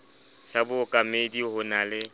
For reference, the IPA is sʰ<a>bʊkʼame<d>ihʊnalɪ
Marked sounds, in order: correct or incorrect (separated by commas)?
correct, correct